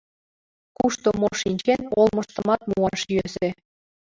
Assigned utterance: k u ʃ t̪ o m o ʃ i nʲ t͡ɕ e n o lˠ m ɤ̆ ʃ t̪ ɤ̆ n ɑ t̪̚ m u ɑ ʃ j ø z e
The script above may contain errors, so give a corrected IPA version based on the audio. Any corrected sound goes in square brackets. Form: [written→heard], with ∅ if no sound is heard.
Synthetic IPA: k u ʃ t̪ o m o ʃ i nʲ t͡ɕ e n o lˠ m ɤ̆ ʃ t̪ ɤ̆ [n→m] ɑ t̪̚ m u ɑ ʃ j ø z e